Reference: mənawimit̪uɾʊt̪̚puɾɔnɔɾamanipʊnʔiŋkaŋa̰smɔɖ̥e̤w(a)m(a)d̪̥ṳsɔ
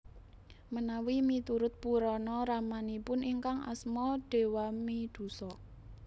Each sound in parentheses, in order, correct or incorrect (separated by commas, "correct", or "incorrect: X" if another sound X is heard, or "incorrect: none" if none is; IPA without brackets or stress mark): correct, incorrect: i